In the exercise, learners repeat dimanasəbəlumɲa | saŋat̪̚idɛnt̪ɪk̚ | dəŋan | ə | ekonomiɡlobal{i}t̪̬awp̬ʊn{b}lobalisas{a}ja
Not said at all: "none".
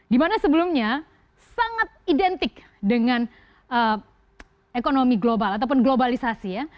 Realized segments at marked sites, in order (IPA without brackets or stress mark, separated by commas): a, ɡ, i